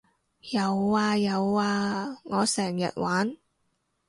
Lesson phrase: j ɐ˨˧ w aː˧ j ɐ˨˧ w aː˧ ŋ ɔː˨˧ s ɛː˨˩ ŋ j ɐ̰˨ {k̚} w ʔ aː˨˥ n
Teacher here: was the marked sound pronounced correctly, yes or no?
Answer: no